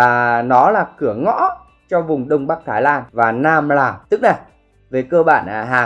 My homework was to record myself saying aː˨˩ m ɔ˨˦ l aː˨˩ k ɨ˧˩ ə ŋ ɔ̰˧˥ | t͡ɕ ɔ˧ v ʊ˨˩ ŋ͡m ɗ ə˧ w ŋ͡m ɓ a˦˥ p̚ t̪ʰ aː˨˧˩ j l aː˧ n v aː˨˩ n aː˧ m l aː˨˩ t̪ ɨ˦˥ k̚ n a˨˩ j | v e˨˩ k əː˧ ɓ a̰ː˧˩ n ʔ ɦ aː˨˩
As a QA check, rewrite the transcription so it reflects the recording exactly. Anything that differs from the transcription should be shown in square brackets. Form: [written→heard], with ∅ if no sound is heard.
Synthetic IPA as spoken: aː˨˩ [m→n] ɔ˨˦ l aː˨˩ k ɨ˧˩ ə ŋ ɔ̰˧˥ | t͡ɕ ɔ˧ v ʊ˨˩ ŋ͡m ɗ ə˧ w ŋ͡m ɓ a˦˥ [p̚→k̚] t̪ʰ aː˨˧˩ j l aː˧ n v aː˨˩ n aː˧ m l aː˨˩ t̪ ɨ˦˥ k̚ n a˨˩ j | v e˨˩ k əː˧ ɓ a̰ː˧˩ n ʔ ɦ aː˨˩